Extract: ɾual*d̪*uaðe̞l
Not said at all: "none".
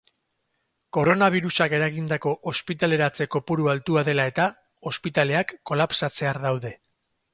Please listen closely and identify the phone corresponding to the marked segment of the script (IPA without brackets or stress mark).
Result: t̪